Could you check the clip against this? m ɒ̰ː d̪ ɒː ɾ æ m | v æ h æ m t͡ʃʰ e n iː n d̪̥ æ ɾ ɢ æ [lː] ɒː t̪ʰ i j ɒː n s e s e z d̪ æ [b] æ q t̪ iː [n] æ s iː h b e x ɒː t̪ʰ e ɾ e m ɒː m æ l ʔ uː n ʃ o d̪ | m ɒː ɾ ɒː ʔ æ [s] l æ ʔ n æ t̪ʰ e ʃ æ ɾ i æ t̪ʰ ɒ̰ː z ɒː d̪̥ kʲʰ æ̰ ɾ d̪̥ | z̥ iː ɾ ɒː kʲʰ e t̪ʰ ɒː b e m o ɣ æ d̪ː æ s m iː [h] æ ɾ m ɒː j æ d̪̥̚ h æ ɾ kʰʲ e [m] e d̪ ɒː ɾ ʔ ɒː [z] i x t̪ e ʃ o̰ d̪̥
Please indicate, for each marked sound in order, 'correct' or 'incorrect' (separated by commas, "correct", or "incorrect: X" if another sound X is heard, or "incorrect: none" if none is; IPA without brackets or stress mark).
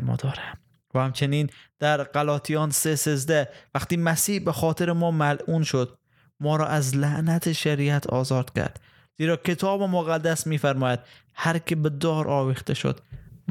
incorrect: l, incorrect: v, incorrect: m, incorrect: z, incorrect: f, incorrect: b, incorrect: v